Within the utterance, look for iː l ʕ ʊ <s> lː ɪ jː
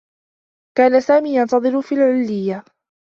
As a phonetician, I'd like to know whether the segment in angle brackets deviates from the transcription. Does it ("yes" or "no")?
yes